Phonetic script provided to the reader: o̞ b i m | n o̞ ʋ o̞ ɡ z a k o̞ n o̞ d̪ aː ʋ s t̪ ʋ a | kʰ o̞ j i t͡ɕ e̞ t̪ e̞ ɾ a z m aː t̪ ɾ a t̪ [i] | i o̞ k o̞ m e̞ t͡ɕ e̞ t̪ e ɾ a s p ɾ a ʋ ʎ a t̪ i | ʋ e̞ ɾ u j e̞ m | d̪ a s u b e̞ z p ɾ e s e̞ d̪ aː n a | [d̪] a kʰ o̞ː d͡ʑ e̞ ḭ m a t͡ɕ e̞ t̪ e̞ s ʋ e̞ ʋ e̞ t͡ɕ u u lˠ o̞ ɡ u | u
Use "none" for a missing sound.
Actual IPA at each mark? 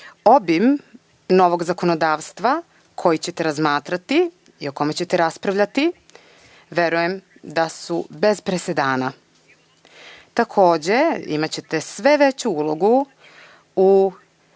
i, t̪

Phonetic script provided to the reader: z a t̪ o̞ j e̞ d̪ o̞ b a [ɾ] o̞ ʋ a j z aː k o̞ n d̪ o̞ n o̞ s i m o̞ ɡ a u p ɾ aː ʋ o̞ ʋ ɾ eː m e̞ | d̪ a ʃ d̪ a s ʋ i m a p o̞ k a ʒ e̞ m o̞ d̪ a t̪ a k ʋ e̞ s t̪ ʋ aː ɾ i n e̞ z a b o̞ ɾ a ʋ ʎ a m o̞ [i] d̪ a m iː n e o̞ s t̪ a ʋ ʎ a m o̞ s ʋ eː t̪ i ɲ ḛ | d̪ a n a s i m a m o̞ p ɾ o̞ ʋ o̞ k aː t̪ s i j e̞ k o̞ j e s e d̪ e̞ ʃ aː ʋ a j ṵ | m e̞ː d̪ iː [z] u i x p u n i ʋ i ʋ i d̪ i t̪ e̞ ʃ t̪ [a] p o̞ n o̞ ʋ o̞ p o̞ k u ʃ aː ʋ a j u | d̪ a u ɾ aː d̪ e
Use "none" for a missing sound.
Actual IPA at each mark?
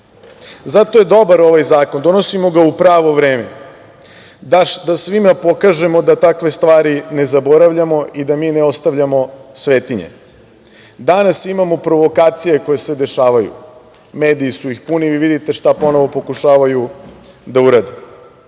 ɾ, i, s, a

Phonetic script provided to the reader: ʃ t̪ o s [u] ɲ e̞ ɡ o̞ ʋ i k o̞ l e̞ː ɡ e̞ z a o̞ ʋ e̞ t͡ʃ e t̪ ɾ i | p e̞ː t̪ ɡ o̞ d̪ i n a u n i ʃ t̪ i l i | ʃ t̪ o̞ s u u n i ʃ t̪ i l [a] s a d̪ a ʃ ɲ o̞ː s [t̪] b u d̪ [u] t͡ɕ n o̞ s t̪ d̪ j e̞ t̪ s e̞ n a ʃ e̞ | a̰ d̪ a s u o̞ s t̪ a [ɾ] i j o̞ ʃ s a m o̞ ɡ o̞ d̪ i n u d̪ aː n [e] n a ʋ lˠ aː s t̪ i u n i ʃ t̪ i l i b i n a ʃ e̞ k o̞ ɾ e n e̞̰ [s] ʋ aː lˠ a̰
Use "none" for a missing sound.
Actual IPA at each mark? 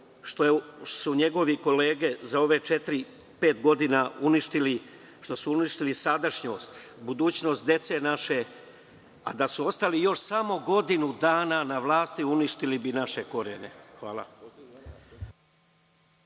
u, i, t̪, uː, l, a, x

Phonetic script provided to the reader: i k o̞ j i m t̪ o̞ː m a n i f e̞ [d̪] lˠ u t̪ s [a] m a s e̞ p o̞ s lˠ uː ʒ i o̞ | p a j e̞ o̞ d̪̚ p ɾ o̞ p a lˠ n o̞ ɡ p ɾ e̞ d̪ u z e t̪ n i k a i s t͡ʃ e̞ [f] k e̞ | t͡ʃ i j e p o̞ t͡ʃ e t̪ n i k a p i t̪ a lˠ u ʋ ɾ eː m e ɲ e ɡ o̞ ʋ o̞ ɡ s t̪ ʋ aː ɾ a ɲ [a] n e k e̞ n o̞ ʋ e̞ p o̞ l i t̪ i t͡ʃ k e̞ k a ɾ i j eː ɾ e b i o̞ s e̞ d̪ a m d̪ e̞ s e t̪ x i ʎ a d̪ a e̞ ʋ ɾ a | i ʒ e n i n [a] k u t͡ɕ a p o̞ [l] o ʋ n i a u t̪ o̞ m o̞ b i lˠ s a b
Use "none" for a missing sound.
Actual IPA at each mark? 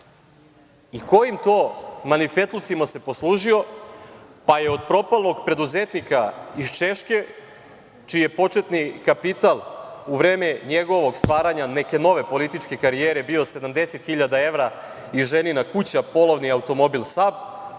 t̪, i, ʃ, a, a, l

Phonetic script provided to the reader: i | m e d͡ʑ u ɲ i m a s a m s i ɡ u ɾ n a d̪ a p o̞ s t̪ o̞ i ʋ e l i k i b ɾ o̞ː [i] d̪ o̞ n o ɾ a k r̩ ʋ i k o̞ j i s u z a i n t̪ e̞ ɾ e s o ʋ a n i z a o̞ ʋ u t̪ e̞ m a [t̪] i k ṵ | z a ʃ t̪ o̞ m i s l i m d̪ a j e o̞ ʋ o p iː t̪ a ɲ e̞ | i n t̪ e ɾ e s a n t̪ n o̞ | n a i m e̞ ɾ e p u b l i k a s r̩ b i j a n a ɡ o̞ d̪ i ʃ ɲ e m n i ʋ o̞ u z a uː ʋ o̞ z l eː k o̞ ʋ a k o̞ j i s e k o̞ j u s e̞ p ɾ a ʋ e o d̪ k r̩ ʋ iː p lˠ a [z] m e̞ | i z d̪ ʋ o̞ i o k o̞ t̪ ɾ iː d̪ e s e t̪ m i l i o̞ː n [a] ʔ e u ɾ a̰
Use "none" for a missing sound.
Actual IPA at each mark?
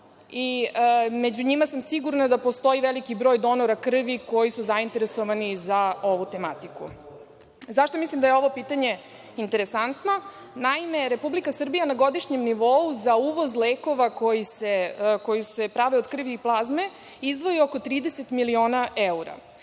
j, t̪, z, a

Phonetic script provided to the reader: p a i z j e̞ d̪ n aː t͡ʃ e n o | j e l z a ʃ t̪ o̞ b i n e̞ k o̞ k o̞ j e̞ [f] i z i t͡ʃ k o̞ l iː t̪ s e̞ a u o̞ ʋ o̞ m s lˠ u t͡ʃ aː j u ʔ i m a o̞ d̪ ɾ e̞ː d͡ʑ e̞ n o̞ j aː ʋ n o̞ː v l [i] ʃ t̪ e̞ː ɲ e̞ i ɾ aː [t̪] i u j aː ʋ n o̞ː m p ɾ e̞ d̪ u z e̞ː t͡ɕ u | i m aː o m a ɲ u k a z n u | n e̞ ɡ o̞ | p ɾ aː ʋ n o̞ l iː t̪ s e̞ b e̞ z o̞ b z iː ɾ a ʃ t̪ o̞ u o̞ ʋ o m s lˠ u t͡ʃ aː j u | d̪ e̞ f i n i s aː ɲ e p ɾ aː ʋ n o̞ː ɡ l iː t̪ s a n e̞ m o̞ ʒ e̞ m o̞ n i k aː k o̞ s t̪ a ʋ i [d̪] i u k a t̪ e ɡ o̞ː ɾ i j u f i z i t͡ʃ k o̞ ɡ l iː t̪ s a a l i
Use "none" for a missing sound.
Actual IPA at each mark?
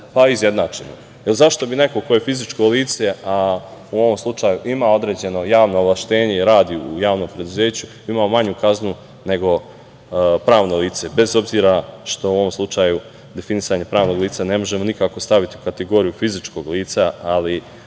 f, a, d̪, t̪

